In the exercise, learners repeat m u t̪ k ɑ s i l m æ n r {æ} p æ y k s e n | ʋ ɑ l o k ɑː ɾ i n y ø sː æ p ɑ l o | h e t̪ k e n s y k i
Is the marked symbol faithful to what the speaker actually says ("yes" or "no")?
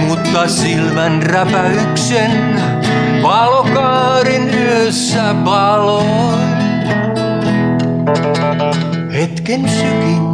yes